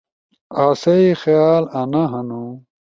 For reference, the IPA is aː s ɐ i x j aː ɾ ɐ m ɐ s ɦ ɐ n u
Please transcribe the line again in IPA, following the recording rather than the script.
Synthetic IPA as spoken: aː s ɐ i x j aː l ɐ n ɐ ɦ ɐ n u